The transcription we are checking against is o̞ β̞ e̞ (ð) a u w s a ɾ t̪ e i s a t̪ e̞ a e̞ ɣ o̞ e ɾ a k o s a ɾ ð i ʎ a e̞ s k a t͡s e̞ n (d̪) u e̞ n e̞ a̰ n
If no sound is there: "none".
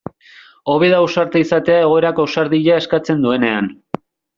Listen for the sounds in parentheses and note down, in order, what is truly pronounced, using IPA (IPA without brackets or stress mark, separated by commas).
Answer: ð, d̪